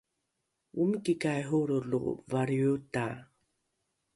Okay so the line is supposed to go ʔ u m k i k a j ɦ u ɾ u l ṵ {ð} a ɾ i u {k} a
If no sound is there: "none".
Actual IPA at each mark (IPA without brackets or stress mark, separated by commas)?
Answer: v, t